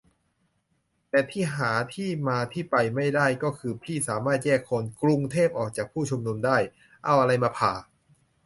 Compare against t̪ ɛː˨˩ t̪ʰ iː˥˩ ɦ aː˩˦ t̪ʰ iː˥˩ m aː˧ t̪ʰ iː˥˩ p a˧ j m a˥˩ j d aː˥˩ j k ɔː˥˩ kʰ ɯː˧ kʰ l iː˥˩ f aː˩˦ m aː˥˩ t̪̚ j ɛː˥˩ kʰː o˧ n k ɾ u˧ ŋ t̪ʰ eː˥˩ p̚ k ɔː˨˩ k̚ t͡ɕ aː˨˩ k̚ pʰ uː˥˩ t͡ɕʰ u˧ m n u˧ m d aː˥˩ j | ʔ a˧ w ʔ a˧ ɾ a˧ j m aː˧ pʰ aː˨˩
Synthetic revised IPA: t̪ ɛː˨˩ t̪ʰ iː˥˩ ɦ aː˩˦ t̪ʰ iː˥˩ m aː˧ t̪ʰ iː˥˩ p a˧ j m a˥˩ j d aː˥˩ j k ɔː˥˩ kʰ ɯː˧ pʰ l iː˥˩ s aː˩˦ m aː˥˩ t̪̚ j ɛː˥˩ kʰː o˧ n k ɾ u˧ ŋ t̪ʰ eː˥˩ p̚ ʔ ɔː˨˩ k̚ t͡ɕ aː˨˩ k̚ pʰ uː˥˩ t͡ɕʰ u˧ m n u˧ m d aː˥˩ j | ʔ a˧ w ʔ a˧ ɾ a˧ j m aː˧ pʰ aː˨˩